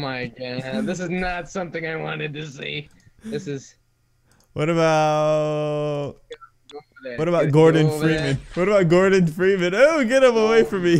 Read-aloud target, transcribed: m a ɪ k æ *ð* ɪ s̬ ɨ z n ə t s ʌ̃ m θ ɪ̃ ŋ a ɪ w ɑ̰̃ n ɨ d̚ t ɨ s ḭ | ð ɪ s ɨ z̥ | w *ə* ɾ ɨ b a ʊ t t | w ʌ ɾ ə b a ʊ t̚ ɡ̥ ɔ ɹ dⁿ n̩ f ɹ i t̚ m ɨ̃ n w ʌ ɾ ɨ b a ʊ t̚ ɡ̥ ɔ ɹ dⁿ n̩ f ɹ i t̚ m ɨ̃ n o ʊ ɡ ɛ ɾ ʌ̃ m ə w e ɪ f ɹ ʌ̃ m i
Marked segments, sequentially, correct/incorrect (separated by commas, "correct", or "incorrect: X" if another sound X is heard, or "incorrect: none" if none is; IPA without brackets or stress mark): correct, incorrect: ʌ